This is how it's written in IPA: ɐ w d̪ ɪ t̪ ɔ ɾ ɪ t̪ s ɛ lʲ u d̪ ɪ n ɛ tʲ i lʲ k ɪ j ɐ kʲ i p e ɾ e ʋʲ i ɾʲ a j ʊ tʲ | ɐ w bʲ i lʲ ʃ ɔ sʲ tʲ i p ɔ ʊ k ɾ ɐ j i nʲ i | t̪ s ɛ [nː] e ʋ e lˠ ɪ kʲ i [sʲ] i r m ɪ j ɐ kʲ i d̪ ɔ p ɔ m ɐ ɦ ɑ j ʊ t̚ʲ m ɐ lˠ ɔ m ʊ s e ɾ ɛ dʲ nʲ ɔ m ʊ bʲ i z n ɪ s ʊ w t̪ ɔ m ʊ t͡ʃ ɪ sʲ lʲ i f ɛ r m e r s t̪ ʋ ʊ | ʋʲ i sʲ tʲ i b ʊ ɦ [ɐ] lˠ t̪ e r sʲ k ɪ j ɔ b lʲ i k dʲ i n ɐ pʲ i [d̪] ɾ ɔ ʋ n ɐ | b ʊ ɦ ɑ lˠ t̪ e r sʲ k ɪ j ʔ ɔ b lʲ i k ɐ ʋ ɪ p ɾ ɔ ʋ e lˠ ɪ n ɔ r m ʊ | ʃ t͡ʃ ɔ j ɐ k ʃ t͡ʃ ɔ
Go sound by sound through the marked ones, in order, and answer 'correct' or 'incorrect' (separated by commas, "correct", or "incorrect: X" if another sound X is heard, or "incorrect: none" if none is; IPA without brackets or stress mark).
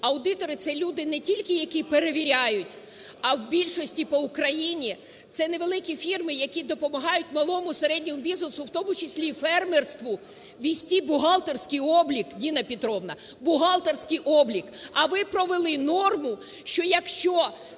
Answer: incorrect: n, incorrect: fʲ, incorrect: ɑ, incorrect: t̪